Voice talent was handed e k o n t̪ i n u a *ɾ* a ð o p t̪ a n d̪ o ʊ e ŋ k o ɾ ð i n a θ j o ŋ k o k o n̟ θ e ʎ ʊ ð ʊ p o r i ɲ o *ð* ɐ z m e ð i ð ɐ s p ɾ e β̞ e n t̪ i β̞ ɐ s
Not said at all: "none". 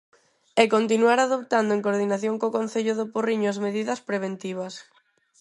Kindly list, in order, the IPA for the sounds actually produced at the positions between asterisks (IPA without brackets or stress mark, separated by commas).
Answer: ɾ, none